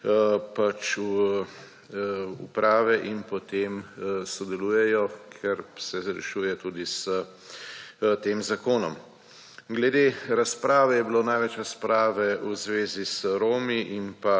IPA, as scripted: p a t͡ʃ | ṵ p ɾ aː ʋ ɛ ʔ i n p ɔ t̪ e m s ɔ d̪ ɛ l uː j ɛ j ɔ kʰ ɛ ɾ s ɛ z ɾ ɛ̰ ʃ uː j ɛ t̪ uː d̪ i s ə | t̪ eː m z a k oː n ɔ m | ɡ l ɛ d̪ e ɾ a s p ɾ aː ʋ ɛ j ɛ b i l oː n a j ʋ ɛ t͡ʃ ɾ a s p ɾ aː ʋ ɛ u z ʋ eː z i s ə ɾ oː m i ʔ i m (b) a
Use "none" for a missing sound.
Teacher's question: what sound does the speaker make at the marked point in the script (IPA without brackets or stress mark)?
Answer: p